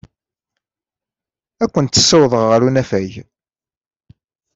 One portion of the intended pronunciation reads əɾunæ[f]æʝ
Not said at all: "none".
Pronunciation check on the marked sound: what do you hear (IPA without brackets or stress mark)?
f